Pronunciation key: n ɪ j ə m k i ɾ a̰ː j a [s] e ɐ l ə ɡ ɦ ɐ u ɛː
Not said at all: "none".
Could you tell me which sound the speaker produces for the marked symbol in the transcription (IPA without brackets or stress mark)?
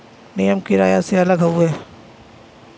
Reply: s